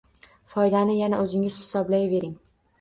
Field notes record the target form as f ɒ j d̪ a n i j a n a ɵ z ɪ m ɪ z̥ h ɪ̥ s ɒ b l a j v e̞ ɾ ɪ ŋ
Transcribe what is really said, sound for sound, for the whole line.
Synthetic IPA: f ɒ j d̪ a n ɪ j a n a ɵ z ɪ ŋ ɪ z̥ h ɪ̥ s ɒ b l a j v e̞ ɾ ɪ ŋ

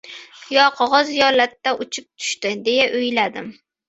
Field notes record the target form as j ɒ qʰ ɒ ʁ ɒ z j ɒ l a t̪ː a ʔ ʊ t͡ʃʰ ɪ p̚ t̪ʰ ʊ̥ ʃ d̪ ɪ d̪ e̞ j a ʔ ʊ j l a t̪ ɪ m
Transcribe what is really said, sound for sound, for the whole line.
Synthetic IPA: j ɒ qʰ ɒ ʁ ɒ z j ɒ l a t̪ː a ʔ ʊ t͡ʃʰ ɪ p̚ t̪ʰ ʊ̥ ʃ t̪ ɪ d̪ e̞ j a ʔ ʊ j l a d̪ ɪ m

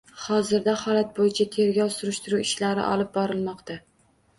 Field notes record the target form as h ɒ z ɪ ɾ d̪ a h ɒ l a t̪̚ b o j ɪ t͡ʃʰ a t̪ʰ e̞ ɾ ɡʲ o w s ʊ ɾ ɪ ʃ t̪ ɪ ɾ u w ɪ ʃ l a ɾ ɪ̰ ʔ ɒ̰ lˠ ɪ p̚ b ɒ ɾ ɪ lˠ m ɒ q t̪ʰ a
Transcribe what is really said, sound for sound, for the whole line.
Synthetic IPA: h ɒ z ɪ ɾ d̪ a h ɒ l a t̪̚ b o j ɪ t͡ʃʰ a t̪ʰ e̞ ɾ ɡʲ ɒ w s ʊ ɾ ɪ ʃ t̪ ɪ ɾ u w ɪ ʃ l a ɾ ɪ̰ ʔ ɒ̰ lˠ ɪ p̚ b ɒ ɾ ɪ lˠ m ɒ q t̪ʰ a

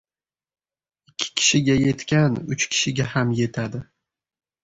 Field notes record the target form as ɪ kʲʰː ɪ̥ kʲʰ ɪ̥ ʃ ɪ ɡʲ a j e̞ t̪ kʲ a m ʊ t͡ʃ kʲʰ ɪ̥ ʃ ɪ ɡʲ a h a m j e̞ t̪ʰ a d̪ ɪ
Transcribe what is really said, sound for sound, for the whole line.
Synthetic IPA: ɪ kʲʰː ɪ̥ kʲʰ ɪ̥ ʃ ɪ ɡʲ a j e̞ t̪ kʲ a n ʊ t͡ʃ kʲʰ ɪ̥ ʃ ɪ ɡʲ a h a m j e̞ t̪ʰ a d̪ ɪ

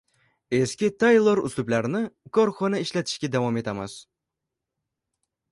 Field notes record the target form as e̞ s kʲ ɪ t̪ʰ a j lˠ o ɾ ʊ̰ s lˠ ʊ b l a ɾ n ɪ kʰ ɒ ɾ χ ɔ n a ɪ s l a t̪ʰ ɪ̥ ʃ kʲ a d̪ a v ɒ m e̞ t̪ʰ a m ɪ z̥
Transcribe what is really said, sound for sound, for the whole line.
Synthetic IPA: e̞ s kʲ ɪ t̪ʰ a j lˠ o ɾ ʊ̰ s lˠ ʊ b l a ɾ n ɪ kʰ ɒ ɾ χ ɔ n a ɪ ʃ l a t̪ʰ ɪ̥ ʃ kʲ a d̪ a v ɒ m e̞ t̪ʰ a m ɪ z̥

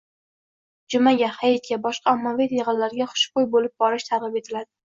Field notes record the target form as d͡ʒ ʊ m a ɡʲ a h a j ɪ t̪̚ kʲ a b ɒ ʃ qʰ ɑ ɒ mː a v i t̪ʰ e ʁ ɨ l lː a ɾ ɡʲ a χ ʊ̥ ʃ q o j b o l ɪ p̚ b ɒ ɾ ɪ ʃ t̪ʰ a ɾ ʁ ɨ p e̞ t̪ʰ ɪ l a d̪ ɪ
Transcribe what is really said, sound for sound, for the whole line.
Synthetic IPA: d͡ʒ ʊ m a ɡʲ a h a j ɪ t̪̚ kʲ a b ɒ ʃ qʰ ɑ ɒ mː a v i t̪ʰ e ʁ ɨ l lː a ɾ ɡʲ a χ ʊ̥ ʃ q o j b o l ɪ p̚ b ɒ ɾ ɪ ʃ t̪ʰ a ɾ ʁ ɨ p e̞ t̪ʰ ɪ l a d̪ ɪ

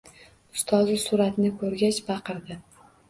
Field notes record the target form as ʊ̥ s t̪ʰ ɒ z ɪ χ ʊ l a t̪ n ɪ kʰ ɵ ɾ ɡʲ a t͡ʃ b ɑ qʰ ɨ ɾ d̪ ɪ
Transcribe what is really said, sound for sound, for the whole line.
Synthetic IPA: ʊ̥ s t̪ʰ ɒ z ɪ s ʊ ɾ a t̪ n ɪ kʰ ɵ ɾ ɡʲ a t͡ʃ b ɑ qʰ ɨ ɾ d̪ ɪ

